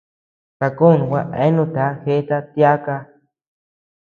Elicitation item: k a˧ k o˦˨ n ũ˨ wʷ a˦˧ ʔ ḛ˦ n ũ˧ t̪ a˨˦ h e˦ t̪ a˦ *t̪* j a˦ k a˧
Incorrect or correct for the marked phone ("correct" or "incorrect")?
correct